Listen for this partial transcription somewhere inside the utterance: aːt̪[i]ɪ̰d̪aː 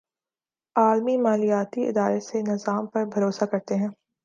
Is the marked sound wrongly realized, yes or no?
no